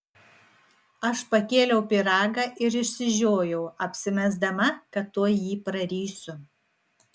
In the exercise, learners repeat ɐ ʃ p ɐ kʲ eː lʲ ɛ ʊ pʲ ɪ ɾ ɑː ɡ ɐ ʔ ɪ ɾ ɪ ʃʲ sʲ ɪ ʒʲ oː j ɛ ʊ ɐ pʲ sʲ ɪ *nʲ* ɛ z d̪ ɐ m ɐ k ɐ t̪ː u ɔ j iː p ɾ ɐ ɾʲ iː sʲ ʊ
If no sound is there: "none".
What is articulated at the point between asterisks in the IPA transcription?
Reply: mʲ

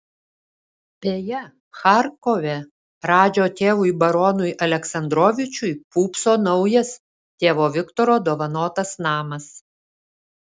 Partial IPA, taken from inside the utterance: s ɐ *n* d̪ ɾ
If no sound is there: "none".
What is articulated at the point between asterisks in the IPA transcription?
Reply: n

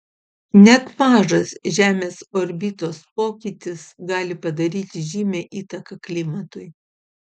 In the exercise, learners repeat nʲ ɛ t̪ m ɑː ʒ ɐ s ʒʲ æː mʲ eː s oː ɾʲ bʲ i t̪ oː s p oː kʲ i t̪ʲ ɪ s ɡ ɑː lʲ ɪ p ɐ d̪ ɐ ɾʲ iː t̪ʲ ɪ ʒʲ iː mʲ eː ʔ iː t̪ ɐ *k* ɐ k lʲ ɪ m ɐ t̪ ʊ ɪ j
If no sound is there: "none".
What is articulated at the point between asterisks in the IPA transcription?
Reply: k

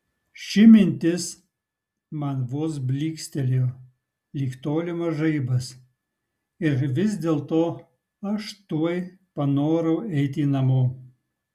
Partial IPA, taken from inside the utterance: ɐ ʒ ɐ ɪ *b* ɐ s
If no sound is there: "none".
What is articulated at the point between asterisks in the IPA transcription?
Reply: b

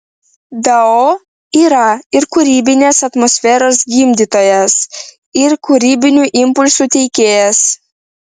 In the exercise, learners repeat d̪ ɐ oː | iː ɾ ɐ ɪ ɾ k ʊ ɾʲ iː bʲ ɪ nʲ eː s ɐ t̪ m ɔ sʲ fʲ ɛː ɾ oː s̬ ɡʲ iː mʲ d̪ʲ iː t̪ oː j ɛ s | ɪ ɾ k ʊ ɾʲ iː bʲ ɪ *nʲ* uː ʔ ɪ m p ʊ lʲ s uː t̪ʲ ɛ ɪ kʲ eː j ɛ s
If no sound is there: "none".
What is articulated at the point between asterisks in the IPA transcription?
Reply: nʲ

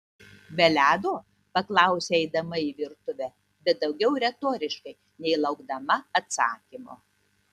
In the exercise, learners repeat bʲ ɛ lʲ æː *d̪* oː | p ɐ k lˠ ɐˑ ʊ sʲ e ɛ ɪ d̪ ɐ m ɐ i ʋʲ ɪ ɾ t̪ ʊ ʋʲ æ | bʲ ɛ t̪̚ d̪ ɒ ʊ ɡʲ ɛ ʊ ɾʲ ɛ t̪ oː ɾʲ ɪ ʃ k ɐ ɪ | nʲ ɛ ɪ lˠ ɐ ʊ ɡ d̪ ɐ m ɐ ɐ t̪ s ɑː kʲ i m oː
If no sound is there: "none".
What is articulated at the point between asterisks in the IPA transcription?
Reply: d̪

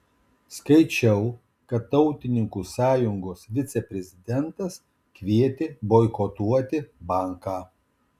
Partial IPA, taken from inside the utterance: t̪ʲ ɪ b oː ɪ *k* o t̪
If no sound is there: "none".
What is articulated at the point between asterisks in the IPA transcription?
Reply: k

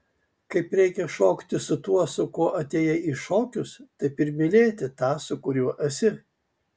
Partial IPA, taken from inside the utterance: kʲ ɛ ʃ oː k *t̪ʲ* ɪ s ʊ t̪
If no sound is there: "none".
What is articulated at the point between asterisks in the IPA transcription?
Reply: t̪ʲ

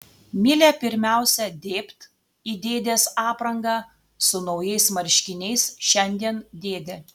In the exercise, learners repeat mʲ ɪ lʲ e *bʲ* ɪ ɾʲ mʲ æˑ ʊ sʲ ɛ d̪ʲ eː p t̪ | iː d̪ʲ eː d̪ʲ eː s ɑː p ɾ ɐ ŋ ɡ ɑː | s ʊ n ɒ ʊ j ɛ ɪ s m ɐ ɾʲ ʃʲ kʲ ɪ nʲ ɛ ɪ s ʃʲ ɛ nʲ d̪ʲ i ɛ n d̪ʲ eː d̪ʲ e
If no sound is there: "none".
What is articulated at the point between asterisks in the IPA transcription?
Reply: pʲ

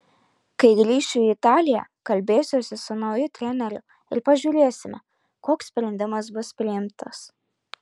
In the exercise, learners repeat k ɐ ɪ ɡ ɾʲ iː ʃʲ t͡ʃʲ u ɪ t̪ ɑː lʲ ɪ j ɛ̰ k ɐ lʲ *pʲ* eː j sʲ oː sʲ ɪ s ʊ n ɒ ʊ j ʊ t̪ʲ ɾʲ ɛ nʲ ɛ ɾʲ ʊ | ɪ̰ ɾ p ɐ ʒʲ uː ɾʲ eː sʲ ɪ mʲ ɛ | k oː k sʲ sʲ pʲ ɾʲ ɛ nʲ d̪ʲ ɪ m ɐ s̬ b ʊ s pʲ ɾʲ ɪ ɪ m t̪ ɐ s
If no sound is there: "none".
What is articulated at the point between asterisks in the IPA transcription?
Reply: bʲ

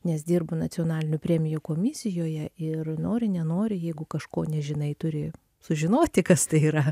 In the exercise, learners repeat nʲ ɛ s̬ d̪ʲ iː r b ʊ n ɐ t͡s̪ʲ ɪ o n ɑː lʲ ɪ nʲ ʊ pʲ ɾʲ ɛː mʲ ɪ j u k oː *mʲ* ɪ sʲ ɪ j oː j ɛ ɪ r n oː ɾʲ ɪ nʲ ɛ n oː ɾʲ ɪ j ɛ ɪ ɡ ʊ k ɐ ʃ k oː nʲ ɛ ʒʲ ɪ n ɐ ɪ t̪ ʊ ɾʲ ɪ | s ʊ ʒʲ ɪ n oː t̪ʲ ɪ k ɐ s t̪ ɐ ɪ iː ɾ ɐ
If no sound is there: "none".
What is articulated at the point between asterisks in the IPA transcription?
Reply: mʲ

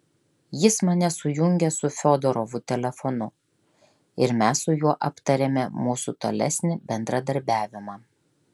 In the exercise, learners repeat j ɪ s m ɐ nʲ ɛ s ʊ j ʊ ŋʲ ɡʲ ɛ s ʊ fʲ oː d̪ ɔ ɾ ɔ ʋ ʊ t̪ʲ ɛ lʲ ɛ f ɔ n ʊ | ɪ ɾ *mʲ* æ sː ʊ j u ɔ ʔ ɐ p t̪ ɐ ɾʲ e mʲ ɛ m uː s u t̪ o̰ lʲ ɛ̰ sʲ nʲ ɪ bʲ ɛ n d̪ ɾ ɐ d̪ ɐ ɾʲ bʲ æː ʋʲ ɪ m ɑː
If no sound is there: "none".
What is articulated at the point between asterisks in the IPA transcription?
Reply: mʲ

